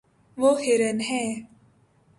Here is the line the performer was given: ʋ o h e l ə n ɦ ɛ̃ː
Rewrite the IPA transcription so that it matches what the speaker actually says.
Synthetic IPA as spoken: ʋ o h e ɾ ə n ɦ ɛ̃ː

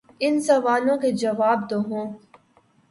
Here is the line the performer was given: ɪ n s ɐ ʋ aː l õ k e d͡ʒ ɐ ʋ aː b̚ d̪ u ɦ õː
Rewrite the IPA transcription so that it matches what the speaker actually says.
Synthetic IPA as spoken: ɪ n s ɐ ʋ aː l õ k e d͡ʒ ɐ ʋ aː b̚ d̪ o ɦ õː

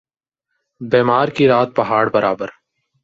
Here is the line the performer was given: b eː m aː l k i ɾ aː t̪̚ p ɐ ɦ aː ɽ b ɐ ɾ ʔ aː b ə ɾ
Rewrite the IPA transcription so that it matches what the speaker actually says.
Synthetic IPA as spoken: b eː m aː ɾ k i ɾ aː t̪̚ p ɐ ɦ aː ɽ b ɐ ɾ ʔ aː b ə ɾ

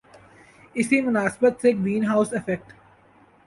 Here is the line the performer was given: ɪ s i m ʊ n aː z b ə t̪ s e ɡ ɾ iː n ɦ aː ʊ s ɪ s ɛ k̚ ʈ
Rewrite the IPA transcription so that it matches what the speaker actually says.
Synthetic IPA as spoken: ɪ s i m ʊ n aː s b ə t̪ s e ɡ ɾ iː n ɦ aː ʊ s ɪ f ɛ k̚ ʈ

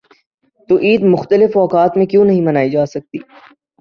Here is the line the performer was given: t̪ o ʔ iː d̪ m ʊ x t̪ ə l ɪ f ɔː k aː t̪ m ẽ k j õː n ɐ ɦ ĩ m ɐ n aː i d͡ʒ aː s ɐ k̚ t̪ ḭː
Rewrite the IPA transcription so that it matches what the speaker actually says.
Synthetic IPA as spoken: t̪ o ʔ iː d̪ m ʊ x t̪ ə l ɪ f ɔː k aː t̪ m ẽ k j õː n ɐ ɦ ĩ m ɐ n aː i d͡ʒ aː s ɐ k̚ t̪ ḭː

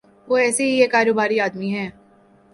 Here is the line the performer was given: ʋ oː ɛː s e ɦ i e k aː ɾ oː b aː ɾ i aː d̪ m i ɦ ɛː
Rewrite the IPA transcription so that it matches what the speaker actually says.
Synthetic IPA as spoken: ʋ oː ɛː s e ɦ i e k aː ɾ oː b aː ɾ i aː d̪ m i ɦ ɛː

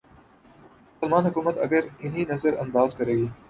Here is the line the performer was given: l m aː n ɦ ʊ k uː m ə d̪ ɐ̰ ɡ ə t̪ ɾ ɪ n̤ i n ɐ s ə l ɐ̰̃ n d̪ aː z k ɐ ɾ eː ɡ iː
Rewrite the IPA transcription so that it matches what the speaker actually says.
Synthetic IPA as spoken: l m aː n ɦ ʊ k uː m ə t̪ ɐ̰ ɡ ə ɾ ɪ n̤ i n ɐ z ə ɾ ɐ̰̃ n d̪ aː z k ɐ ɾ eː ɡ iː

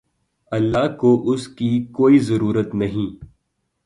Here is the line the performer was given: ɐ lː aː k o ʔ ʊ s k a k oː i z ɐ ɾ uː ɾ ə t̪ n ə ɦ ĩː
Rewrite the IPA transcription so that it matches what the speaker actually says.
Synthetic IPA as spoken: ɐ lː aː k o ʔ ʊ s k i k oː i z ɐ ɾ uː ɾ ə t̪ n ɐ ɦ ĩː

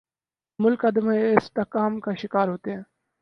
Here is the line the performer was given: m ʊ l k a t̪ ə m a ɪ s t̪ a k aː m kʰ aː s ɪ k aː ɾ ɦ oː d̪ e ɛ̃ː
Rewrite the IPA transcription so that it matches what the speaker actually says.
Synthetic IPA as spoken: m ʊ l k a d̪ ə m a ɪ s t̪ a k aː m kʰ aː ʃ ɪ k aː ɾ ɦ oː t̪ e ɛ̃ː

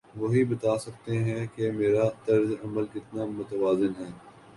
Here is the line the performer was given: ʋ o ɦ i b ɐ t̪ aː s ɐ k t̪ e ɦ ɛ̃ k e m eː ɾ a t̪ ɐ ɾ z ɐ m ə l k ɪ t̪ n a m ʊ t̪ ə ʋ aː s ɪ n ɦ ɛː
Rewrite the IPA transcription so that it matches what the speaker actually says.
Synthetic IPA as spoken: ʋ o ɦ i b ɐ t̪ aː s ɐ k t̪ e ɦ ɛ̃ k e m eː ɾ a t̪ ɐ ɾ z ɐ m ə l k ɪ t̪ n a m ʊ t̪ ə ʋ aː z ɪ n ɦ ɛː

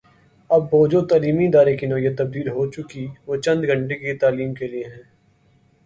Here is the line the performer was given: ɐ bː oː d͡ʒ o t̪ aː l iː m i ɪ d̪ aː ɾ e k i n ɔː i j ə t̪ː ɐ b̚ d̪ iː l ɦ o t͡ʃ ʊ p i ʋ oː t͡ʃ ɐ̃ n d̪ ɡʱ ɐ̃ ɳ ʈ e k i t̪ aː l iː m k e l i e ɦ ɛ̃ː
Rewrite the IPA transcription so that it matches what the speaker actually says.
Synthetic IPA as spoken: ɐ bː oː d͡ʒ o t̪ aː l iː m i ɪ d̪ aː ɾ e k i n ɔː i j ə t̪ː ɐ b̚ d̪ iː l ɦ o t͡ʃ ʊ k i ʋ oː t͡ʃ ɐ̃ n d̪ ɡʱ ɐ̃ ɳ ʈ e k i t̪ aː l iː m k e l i e ɦ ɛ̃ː

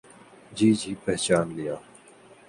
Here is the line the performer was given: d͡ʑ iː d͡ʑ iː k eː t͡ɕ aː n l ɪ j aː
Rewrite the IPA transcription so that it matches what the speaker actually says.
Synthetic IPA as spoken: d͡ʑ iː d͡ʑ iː p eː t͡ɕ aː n l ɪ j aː

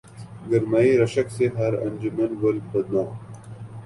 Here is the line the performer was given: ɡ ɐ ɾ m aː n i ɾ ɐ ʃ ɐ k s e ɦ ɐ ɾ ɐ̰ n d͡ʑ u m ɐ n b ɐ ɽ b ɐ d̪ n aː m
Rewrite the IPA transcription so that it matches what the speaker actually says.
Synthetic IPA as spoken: ɡ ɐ ɾ m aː i ɾ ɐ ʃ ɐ k s e ɦ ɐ ɾ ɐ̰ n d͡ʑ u m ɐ n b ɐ l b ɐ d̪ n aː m

